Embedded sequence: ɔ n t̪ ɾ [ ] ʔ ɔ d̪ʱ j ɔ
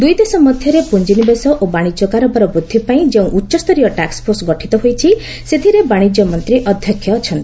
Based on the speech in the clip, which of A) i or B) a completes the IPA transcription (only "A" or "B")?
A